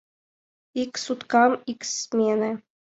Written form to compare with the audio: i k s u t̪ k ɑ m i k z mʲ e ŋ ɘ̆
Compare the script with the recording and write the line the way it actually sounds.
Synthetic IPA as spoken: i k s u t̪ k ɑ m i k s mʲ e n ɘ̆